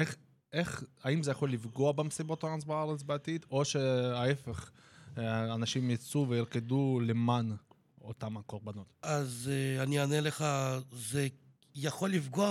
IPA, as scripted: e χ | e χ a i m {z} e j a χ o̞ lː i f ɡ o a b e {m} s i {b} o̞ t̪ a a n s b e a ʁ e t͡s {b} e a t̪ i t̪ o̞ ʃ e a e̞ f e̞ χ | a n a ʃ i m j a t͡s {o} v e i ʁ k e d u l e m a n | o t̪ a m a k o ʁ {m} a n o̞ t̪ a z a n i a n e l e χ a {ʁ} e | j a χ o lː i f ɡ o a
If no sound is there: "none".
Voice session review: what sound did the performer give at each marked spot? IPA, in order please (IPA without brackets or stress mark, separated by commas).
z, m, b, b, u, b, z